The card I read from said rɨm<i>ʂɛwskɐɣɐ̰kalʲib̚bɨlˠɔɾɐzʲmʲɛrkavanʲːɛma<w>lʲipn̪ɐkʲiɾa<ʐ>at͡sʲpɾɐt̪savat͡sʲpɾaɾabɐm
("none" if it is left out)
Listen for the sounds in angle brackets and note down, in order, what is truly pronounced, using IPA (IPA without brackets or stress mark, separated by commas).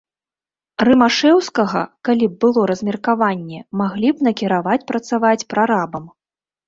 a, ɣ, v